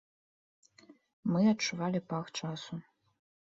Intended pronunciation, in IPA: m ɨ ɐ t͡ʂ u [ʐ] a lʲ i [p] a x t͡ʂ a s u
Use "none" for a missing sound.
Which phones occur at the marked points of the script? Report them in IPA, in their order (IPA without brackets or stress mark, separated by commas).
v, p